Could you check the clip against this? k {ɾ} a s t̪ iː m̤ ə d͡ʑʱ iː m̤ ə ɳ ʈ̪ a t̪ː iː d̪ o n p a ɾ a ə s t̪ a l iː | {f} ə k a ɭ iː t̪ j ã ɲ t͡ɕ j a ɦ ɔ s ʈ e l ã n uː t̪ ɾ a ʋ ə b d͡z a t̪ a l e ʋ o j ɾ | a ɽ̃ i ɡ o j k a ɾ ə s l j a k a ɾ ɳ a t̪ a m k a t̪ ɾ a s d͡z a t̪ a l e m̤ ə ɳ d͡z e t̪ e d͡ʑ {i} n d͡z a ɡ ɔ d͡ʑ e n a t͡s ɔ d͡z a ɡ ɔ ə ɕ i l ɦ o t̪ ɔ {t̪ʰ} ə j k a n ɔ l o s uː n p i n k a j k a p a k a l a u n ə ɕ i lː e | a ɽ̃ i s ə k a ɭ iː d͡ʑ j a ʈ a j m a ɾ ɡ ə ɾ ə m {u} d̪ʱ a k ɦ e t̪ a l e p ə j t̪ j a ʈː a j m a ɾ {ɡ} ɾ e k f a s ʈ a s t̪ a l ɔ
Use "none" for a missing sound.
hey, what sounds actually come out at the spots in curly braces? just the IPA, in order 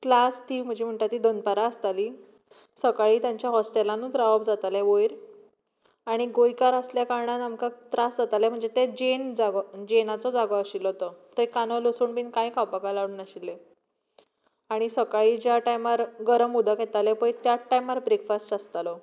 l, s, e, t̪, u, b

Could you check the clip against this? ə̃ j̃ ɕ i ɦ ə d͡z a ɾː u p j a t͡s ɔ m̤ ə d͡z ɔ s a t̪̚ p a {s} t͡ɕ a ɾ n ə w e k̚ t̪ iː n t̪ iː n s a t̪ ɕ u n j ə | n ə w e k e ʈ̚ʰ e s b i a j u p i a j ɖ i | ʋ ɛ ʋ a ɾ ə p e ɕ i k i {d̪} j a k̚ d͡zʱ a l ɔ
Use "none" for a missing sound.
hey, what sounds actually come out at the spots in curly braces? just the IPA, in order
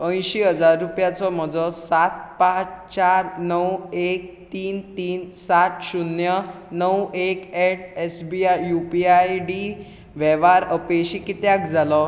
t͡s, t̪

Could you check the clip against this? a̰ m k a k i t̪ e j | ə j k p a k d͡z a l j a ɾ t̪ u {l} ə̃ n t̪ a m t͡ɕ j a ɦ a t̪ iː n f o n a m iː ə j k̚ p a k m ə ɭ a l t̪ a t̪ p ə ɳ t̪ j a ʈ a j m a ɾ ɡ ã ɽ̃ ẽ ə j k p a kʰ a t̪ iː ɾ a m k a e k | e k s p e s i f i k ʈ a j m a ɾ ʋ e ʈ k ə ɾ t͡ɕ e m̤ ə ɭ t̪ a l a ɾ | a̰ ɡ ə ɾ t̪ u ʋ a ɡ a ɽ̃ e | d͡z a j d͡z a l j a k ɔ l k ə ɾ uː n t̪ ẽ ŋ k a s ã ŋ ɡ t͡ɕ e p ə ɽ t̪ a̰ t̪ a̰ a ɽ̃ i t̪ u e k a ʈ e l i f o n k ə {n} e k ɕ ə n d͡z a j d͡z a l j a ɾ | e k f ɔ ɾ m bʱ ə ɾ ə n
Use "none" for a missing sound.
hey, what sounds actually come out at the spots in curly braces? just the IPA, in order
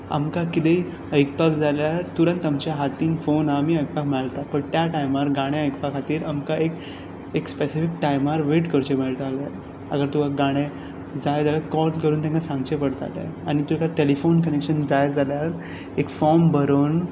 ɾ, n

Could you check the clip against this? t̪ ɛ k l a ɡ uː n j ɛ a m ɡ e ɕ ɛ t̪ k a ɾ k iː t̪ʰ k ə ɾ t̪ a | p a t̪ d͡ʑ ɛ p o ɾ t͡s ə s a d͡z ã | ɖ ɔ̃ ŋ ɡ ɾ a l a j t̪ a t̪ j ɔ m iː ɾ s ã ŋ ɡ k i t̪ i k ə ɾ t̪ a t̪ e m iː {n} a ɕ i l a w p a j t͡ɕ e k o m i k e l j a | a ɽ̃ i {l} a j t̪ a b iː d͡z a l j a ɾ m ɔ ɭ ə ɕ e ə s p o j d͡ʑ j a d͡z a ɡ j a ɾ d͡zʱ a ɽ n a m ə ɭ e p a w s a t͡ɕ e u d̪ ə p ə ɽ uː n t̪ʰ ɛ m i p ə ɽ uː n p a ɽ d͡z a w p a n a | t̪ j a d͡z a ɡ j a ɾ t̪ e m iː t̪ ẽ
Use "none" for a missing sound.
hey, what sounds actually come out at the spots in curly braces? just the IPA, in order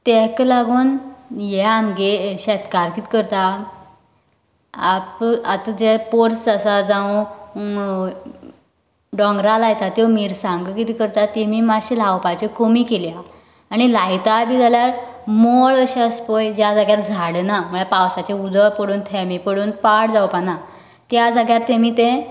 m, l

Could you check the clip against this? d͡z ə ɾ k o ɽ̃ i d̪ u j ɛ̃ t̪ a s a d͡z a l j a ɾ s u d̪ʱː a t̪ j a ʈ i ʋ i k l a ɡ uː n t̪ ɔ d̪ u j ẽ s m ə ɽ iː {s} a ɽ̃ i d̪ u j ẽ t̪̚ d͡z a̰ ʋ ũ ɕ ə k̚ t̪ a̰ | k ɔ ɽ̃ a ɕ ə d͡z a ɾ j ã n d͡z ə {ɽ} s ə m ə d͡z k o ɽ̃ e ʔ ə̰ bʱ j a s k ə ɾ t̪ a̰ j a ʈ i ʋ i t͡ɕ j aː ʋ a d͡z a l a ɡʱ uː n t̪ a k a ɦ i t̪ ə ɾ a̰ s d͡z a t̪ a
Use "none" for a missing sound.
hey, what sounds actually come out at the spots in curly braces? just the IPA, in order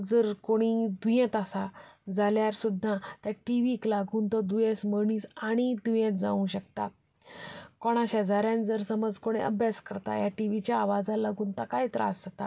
s, ɾ

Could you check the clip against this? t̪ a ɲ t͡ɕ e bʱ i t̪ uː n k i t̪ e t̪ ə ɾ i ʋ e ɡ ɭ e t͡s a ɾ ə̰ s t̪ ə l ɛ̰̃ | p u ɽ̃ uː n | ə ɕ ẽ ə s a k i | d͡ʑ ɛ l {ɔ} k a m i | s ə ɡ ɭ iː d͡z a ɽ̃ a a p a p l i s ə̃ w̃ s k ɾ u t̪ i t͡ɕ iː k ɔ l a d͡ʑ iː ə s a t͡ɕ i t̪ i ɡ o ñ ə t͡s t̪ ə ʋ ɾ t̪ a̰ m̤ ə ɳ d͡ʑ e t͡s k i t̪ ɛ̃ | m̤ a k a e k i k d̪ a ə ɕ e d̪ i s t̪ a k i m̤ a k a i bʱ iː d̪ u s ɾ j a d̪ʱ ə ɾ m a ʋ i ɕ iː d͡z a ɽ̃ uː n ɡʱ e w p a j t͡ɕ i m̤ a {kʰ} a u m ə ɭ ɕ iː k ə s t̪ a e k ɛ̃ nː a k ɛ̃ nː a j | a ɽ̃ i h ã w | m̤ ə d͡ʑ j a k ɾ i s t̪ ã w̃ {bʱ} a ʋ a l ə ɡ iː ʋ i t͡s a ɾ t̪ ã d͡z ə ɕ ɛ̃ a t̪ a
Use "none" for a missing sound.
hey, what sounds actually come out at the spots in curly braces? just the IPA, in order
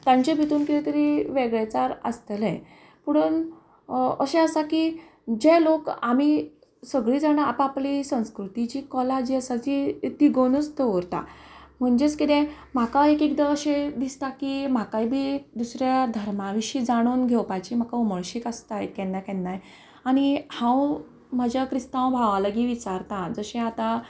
o, k, bʱ

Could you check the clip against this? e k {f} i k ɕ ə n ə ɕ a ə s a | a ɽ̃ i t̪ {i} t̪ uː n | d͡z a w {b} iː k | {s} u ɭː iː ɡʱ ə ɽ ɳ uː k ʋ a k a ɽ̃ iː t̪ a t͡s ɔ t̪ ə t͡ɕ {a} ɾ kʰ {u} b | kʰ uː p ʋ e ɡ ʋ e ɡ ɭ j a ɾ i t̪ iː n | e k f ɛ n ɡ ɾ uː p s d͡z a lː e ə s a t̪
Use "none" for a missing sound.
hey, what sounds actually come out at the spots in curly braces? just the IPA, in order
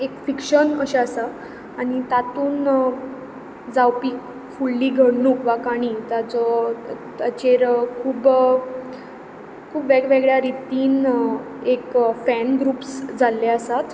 f, a, p, f, e, uː

